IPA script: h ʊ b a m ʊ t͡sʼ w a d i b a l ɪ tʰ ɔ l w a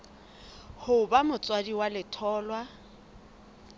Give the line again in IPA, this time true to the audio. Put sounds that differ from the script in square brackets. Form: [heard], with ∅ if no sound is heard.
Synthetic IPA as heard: h ʊ b a m ʊ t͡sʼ w a d i [w] a l ɪ tʰ [ɔː] l w a